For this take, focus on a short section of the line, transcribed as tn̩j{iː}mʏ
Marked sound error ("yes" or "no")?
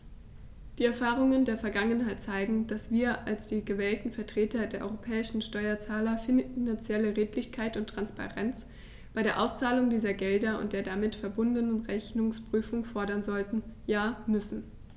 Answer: yes